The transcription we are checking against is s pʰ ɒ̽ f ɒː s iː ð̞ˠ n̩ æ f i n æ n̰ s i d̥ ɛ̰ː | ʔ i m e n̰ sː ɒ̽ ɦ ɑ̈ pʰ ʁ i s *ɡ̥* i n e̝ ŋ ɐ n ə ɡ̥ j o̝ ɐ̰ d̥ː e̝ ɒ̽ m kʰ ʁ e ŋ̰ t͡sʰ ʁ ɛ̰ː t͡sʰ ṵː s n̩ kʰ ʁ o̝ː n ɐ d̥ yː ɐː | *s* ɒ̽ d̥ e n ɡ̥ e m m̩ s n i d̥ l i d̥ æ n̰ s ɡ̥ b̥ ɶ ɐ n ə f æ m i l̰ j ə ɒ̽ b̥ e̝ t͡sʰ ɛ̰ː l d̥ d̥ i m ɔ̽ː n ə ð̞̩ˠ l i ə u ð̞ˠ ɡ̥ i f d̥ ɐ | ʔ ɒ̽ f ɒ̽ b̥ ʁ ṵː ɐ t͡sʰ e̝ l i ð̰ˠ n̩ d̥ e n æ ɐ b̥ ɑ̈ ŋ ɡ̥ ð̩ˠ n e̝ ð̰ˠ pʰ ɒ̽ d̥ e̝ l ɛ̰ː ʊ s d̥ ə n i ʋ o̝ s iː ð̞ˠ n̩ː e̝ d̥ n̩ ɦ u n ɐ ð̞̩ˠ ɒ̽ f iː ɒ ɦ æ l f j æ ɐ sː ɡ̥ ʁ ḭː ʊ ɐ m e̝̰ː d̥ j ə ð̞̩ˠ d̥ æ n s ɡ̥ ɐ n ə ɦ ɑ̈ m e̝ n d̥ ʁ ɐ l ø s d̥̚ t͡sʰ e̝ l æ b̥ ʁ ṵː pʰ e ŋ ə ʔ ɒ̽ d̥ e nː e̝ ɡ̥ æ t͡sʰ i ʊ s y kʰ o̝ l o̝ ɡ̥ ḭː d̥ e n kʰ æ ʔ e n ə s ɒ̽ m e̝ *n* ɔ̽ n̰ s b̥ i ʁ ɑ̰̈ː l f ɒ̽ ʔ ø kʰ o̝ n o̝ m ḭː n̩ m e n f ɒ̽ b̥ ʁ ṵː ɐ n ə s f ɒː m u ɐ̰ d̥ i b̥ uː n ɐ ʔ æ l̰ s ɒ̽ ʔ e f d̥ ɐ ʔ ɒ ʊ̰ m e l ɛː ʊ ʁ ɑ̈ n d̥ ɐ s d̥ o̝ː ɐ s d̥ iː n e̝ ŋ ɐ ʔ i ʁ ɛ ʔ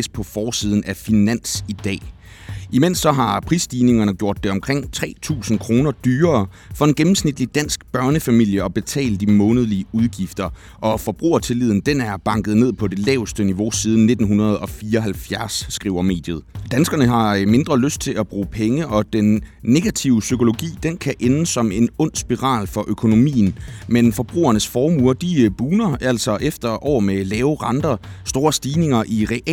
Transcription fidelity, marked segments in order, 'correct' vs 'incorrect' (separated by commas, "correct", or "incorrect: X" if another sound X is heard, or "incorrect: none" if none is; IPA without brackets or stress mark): incorrect: d̥, incorrect: f, correct